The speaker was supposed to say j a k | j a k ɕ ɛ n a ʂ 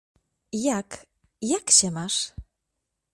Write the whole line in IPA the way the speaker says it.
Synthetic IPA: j a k | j a k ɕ ɛ m a ʂ